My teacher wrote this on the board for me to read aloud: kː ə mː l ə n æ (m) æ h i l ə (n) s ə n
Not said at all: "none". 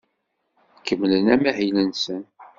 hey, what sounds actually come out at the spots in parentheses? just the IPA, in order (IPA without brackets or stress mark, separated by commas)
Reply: m, n